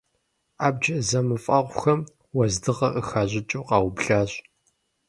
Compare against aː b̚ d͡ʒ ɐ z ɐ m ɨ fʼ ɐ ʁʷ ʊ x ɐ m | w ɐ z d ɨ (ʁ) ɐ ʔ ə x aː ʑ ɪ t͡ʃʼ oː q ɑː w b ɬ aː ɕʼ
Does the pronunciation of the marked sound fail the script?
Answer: no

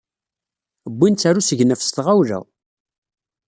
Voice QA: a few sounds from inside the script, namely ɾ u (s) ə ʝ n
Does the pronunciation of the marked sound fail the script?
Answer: no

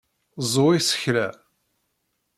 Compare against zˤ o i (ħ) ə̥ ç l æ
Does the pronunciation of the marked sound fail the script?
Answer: yes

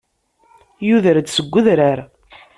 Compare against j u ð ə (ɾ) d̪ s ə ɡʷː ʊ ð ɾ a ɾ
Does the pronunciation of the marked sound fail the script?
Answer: no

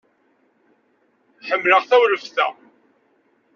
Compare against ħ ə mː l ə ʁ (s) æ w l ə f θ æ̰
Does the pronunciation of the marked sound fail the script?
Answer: yes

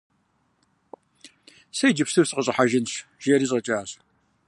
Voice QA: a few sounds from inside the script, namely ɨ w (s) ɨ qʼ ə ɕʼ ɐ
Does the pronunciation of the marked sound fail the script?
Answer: no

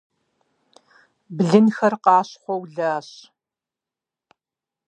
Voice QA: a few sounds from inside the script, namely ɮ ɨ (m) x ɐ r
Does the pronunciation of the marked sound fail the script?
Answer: yes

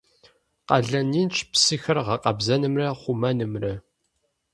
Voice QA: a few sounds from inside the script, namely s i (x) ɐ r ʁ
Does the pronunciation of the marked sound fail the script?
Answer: no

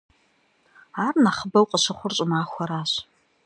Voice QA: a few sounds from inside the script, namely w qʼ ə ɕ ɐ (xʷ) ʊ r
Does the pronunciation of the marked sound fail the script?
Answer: yes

